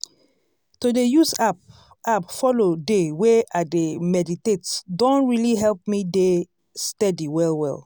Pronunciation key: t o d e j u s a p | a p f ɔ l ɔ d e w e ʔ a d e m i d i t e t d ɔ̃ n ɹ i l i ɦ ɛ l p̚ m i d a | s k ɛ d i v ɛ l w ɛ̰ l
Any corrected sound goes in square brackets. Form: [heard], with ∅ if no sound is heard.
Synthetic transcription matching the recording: t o d e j u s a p | a p f ɔ l [o] d e w e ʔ a d e m [ɛ] d i t e t d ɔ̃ n ɹ i l i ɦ ɛ l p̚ m i d [e] | s [t] ɛ d i [w] ɛ l w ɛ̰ l